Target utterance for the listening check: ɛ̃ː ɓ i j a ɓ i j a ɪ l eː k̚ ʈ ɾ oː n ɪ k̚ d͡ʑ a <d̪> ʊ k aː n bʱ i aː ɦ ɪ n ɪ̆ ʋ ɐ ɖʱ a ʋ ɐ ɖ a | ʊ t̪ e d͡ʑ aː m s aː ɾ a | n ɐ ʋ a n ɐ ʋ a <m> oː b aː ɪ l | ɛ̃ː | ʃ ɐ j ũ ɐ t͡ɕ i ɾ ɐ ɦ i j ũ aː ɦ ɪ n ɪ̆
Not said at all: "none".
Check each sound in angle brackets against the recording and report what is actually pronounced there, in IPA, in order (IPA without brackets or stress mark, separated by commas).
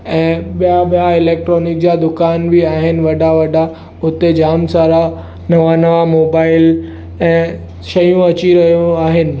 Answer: d̪, m